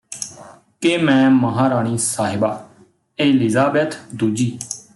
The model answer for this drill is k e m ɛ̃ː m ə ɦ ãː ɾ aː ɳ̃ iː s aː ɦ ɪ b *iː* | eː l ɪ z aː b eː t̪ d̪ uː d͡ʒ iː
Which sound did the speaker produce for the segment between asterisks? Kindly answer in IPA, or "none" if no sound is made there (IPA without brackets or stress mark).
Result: aː